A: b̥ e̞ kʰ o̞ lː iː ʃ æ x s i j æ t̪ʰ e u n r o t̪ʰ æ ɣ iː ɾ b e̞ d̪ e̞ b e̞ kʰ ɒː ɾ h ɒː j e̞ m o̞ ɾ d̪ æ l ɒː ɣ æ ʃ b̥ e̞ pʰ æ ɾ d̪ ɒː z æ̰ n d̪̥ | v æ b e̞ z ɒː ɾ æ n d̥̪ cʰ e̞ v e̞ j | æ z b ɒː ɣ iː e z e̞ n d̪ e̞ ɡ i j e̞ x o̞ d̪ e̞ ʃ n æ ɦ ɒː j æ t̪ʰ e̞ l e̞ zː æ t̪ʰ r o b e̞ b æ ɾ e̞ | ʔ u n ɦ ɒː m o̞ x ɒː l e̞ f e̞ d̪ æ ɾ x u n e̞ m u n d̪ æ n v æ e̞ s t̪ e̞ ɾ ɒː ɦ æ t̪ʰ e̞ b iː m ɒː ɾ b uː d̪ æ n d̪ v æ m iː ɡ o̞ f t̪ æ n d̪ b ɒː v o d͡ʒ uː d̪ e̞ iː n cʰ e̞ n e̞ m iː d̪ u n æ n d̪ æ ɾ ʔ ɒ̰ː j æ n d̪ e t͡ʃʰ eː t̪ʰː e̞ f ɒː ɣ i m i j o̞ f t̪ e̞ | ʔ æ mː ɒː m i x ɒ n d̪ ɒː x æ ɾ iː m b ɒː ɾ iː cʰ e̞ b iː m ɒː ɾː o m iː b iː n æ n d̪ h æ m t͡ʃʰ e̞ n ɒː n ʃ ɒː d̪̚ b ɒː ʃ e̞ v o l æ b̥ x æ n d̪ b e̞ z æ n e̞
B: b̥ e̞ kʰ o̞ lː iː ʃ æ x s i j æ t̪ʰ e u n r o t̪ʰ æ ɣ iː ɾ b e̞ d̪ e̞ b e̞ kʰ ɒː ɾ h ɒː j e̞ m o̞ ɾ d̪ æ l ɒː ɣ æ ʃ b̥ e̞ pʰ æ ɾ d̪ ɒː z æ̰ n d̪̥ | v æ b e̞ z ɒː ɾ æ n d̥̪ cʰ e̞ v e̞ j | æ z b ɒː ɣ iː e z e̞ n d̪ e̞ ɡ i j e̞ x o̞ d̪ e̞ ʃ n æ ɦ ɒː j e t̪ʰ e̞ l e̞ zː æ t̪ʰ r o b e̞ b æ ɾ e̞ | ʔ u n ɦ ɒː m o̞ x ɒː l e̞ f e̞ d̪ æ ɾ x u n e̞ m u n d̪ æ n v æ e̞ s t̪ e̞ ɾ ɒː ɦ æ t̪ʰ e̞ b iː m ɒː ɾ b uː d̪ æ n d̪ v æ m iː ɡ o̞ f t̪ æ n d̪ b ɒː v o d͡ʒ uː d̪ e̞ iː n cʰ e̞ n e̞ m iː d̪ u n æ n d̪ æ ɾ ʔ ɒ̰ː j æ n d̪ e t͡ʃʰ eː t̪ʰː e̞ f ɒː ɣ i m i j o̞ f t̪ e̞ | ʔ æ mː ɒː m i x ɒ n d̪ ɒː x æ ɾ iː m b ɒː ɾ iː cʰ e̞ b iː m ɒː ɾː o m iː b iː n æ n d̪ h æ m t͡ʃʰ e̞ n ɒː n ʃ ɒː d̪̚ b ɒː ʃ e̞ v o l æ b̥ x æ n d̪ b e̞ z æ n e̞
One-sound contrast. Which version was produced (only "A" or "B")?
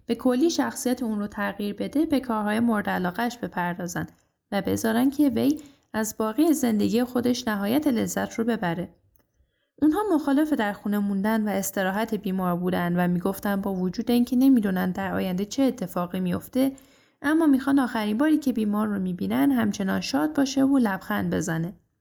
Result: A